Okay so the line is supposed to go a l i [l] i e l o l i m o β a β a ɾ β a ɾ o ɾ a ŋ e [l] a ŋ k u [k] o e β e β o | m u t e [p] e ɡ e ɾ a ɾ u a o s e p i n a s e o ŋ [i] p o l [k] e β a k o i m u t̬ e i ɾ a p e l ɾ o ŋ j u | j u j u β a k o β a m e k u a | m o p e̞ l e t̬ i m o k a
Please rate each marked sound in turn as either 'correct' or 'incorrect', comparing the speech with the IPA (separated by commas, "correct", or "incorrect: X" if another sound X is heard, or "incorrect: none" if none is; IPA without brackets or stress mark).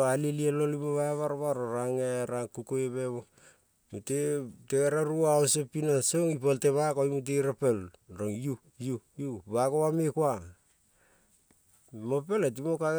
correct, incorrect: ɾ, correct, incorrect: t, correct, incorrect: t